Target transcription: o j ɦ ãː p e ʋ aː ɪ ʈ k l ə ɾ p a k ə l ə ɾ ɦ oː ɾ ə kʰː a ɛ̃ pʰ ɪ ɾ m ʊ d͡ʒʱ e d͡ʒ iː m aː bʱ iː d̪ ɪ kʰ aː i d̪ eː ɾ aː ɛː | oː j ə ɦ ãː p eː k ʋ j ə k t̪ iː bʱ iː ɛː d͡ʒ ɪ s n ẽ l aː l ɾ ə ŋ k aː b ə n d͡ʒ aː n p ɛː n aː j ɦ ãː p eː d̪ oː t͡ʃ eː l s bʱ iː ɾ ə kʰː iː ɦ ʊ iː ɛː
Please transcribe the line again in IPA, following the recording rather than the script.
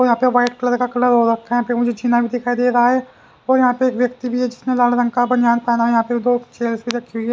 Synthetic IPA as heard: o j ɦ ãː p e ʋ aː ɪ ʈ k l ə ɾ k a k ə l ə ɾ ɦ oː ɾ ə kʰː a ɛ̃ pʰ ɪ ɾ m ʊ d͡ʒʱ e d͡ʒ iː n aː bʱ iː d̪ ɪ kʰ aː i d̪ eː ɾ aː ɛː | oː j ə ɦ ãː p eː k ʋ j ə k t̪ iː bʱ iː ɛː d͡ʒ ɪ s n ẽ l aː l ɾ ə ŋ k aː b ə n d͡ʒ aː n p ɛː n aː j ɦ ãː p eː d̪ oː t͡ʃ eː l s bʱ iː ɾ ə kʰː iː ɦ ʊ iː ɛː